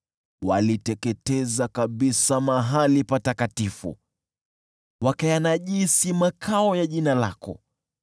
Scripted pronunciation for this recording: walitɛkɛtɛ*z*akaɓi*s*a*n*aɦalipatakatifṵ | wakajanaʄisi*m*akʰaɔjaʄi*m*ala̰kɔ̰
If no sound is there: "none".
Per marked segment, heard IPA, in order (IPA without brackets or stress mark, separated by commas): z, s, m, m, n